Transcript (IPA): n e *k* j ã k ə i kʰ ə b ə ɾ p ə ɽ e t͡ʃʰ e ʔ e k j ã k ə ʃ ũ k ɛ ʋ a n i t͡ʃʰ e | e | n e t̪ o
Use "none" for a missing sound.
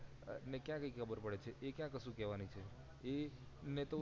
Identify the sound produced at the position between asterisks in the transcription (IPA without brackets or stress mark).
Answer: k